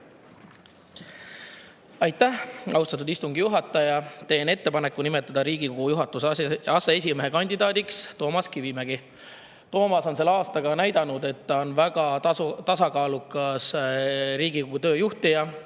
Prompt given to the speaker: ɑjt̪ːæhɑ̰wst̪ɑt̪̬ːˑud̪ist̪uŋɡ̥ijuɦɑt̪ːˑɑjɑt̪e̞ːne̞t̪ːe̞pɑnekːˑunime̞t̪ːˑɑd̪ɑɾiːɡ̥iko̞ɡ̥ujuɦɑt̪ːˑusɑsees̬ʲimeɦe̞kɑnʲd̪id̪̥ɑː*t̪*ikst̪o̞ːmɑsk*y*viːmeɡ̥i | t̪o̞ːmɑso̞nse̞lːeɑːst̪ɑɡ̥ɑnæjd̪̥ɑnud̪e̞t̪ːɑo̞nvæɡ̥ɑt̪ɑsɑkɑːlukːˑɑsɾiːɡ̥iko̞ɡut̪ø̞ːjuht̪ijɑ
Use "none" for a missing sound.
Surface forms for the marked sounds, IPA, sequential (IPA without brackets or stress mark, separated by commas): d̪, i